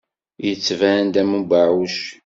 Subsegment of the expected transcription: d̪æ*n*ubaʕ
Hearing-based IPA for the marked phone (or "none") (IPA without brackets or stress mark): m